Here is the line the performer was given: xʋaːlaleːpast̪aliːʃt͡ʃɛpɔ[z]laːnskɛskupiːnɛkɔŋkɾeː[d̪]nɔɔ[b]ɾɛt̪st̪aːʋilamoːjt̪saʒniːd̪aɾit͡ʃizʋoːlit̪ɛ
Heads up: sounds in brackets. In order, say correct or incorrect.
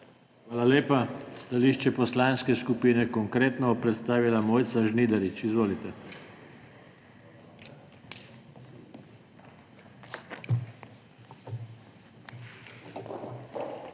incorrect: s, incorrect: t̪, incorrect: p

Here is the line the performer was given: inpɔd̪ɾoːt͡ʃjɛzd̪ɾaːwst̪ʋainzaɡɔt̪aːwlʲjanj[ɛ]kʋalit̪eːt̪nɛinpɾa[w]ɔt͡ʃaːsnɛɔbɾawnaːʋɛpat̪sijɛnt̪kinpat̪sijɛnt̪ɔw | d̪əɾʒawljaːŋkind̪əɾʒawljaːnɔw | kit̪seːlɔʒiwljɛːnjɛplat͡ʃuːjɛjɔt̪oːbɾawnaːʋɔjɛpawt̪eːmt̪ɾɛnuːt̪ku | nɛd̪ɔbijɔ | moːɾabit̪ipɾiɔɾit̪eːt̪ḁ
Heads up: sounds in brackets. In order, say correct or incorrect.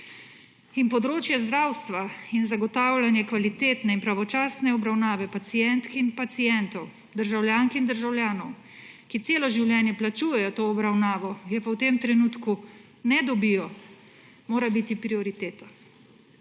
correct, incorrect: ʋ

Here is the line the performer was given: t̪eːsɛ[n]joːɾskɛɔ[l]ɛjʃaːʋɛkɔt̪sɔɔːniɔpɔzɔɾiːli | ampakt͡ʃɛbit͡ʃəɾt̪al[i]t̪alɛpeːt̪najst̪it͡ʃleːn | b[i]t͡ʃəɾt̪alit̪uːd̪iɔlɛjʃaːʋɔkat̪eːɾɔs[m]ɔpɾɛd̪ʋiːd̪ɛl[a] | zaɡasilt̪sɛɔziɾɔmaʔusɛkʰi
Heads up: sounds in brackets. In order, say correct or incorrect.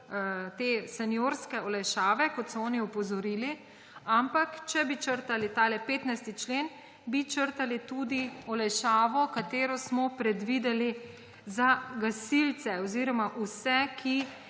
correct, correct, correct, correct, correct, incorrect: i

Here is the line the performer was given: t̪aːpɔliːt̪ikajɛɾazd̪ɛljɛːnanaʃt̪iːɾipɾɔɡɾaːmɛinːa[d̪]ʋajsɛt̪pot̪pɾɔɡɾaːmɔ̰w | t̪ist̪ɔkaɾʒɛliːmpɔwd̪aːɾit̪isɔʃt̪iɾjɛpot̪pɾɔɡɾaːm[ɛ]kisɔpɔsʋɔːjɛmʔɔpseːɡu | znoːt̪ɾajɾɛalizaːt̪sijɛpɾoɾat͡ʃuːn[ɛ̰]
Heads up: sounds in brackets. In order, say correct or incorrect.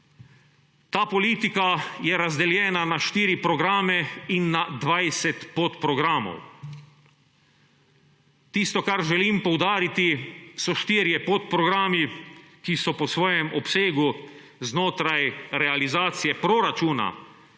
correct, incorrect: i, incorrect: a̰

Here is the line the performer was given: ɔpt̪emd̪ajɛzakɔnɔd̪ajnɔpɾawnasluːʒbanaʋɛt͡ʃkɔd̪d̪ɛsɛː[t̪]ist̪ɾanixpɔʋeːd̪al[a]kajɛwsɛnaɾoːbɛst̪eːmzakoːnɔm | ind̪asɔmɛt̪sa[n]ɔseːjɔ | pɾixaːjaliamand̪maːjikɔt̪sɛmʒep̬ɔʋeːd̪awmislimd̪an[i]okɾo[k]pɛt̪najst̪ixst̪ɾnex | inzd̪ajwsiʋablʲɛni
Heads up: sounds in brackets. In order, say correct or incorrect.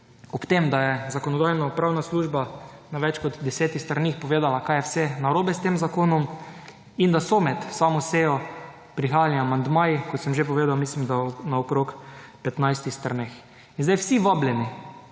correct, correct, incorrect: m, incorrect: a, correct

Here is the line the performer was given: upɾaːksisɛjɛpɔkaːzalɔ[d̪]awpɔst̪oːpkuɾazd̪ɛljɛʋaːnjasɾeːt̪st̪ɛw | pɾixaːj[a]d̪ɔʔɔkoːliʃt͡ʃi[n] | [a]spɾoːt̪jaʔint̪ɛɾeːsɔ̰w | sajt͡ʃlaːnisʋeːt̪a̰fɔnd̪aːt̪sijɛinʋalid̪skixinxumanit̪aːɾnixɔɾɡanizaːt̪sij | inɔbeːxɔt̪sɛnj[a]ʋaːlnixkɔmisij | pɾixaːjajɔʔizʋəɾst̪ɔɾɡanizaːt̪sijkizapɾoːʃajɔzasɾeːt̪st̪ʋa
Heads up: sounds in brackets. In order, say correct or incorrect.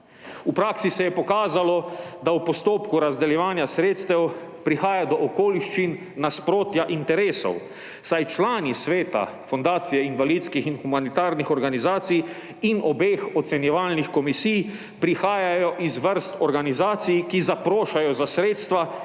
correct, correct, incorrect: nː, correct, incorrect: ɛ

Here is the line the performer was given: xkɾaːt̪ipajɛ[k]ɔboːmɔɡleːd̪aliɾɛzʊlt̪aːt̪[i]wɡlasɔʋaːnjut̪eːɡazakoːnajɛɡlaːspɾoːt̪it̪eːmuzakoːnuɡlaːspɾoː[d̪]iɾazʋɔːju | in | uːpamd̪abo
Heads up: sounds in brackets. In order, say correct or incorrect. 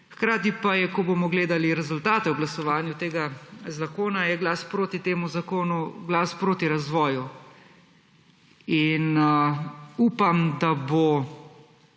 correct, incorrect: ɛ, incorrect: t̪

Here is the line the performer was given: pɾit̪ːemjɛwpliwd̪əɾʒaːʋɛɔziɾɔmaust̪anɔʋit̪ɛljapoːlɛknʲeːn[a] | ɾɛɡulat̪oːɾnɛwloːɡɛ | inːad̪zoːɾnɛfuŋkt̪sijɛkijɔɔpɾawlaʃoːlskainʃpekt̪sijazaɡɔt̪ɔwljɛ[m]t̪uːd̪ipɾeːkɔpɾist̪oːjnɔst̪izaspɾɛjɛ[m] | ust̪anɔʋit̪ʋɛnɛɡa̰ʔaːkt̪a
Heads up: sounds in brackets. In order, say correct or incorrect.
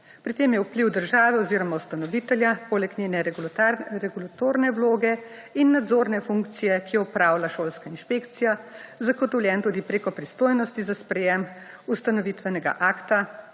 incorrect: ɛ, incorrect: n, correct

